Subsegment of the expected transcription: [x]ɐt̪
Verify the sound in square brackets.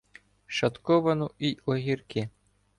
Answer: incorrect: ʃ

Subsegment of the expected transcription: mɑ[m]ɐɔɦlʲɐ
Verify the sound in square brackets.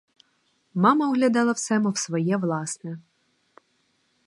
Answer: correct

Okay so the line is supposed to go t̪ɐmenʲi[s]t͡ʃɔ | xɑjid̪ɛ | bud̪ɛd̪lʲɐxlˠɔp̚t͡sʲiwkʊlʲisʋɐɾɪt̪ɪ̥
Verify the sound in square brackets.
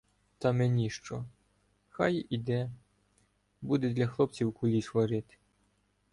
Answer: incorrect: ʃ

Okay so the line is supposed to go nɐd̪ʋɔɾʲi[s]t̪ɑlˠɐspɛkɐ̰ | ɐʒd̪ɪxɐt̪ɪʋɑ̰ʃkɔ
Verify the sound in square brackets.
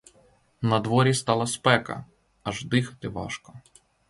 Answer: correct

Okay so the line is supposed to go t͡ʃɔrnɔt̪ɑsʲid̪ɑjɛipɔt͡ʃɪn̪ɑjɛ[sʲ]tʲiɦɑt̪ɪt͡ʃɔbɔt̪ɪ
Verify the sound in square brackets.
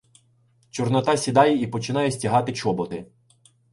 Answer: correct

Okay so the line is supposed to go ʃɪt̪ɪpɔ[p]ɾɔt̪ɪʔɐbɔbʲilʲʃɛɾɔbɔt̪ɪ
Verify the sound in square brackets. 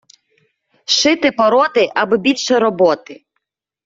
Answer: incorrect: none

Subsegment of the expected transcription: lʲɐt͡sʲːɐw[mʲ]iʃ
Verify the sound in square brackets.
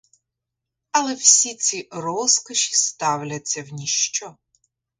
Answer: incorrect: nʲ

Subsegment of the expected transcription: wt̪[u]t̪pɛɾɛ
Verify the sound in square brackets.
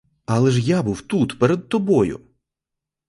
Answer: correct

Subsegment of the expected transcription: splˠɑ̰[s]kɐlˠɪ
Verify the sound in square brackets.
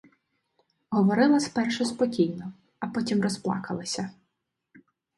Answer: incorrect: none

